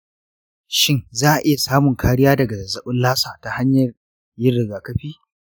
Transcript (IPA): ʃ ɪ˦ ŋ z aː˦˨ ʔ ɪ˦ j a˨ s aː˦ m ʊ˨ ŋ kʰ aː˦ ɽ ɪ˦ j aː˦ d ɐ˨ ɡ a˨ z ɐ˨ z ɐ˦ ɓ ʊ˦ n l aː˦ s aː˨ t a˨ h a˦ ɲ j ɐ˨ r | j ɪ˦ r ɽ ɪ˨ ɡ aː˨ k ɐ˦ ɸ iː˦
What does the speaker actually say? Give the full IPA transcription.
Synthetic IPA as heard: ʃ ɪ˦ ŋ z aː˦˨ ʔ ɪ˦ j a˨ s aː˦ m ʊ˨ ŋ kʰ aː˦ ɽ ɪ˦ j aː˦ d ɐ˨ ɡ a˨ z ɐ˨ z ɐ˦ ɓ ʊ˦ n l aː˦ s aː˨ t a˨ h a˦ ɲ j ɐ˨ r | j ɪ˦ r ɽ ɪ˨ ɡ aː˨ k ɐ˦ ɸ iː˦